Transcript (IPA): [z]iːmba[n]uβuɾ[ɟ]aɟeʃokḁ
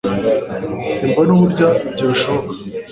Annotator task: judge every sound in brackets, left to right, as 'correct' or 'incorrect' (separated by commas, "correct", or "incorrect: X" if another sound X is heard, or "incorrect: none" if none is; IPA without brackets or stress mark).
incorrect: s, correct, correct